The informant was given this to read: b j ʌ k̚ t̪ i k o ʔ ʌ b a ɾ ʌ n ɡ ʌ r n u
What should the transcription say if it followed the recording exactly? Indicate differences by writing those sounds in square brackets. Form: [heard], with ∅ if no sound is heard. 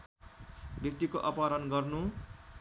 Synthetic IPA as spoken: b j ʌ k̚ t̪ i k o ʔ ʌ [p] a ɾ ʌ n ɡ ʌ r n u